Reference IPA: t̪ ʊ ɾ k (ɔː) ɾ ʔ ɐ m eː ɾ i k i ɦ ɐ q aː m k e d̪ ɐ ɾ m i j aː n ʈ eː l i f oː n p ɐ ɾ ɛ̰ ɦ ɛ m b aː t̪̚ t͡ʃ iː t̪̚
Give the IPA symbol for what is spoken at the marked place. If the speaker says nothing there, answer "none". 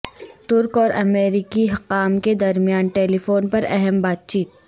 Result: ɔː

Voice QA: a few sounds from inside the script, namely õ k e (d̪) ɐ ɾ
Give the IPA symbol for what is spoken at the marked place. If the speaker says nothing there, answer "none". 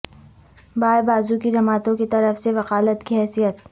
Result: t̪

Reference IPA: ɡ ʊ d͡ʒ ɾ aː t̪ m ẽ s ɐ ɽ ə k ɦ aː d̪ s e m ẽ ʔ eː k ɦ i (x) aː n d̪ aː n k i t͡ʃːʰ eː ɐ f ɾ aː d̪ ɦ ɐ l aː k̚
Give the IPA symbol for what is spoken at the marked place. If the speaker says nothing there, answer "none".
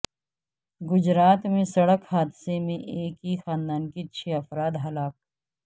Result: x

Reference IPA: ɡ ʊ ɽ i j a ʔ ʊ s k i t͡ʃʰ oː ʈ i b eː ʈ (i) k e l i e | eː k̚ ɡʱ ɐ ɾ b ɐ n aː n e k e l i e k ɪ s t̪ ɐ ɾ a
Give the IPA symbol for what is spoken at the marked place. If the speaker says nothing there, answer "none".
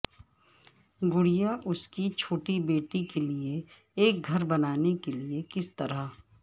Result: i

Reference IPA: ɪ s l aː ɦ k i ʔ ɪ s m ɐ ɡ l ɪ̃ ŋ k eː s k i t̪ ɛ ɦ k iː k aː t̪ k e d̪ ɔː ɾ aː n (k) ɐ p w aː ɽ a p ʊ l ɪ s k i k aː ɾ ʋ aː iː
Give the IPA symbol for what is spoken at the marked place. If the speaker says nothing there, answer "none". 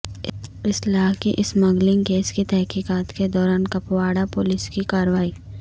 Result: k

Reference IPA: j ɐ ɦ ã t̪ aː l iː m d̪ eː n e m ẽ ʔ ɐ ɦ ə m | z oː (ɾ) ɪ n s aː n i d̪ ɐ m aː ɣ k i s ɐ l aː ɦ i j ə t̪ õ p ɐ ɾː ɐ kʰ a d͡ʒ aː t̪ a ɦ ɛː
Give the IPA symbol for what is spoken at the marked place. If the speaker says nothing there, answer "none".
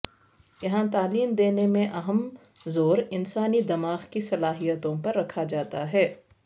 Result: ɾ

